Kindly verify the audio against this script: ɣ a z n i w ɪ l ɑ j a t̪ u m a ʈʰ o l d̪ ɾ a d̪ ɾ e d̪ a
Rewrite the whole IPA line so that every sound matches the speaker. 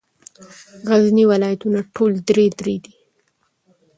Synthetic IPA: ɣ a z n i w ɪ l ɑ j a t̪ u n a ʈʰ o l d̪ ɾ e d̪ ɾ e d̪ i